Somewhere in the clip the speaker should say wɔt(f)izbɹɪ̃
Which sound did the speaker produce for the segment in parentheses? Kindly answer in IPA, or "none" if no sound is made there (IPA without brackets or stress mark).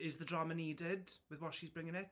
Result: ʃ